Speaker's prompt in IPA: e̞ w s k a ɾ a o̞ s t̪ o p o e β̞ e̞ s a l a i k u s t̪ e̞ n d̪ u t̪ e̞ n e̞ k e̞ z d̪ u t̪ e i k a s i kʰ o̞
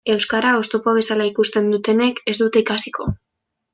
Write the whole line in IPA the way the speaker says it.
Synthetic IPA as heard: e̞ w s k a ɾ a o̞ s t̪ o p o a β̞ e̞ s a l a i k u s t̪ e̞ n d̪ u t̪ e̞ n e̞ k e̞ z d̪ u t̪ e i k a s i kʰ o̞